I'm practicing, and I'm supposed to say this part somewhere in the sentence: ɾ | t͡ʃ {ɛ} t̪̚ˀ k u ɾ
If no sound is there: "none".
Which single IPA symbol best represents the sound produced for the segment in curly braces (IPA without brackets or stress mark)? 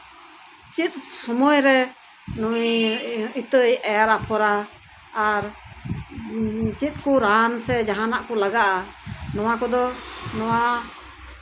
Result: i